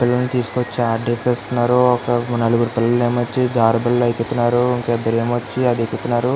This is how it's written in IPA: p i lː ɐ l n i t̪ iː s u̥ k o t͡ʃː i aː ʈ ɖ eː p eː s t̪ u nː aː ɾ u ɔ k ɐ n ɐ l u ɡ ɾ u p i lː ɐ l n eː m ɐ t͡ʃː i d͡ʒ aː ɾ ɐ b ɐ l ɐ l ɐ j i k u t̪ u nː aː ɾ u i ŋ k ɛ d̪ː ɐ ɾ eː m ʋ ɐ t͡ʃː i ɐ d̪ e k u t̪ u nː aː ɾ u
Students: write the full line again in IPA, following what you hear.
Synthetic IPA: p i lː ɐ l n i t̪ iː s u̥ k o t͡ʃː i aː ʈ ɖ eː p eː s t̪ u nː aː ɾ u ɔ k ɐ n ɐ l u ɡ ɾ u p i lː ɐ l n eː m ɐ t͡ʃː i d͡ʒ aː ɾ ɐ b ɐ l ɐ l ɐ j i k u t̪ u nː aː ɾ u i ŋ k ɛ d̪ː ɐ ɾ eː m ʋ ɐ t͡ʃː i ɐ d̪ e k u t̪ u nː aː ɾ u